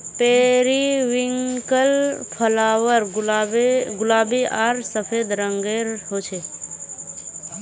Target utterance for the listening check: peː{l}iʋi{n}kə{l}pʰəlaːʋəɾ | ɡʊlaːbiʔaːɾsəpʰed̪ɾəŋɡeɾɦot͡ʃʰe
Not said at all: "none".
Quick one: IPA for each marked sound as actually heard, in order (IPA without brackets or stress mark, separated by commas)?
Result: ɾ, ŋ, l